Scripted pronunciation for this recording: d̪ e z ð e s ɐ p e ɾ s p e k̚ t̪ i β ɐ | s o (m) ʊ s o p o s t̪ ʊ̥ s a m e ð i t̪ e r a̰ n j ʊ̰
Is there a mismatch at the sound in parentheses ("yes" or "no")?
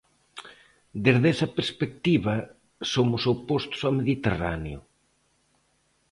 no